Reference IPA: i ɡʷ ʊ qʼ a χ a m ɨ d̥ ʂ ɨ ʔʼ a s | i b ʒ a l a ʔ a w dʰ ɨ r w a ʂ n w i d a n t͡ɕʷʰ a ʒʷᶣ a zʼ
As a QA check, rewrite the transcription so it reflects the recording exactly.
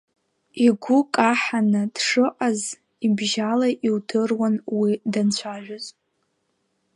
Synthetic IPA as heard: i ɡʷ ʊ kʼ a ħ a n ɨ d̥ ʂ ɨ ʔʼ a z | i b ʒ a l a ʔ i w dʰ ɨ r w a n w i d a n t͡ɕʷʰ a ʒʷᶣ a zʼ